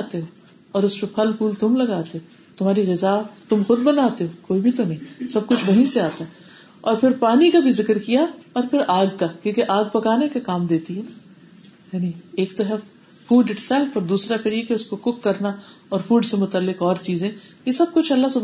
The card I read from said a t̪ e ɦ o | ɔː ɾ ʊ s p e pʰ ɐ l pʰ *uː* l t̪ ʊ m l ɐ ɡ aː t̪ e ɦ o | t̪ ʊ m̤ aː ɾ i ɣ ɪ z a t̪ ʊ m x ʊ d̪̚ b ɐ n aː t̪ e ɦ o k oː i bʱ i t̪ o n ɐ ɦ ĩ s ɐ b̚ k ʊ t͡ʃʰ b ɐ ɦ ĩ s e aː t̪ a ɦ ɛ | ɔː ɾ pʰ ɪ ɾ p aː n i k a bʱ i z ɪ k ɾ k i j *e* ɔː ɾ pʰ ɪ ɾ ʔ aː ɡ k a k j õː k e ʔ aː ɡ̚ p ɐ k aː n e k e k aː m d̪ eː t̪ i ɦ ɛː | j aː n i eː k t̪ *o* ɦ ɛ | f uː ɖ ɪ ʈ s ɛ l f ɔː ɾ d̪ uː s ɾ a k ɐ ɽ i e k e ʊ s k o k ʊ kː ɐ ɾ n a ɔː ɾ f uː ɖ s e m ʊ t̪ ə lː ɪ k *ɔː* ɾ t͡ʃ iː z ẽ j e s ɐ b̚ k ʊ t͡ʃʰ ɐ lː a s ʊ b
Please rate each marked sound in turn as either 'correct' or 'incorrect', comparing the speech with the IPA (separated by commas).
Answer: correct, incorrect, correct, correct